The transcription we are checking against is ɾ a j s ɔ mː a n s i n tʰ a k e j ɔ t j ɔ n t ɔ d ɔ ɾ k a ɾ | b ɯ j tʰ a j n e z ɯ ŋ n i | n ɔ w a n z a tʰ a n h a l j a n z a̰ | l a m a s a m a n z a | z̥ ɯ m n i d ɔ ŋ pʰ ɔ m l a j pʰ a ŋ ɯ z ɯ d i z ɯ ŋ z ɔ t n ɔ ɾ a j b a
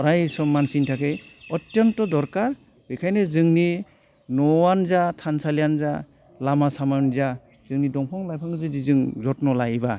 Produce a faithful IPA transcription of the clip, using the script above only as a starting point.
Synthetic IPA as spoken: ɾ a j s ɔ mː a n s i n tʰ a k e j ɔ t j ɔ n t ɔ d ɔ ɾ k a ɾ | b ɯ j kʰ a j n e z ɯ ŋ n i | n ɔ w a n z a tʰ a n s a l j a n z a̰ | l a m a s a m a n z a | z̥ ɯ ŋ n i d ɔ ŋ pʰ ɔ ŋ l a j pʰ a ŋ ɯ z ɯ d i z ɯ ŋ z ɔ t n ɔ l a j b a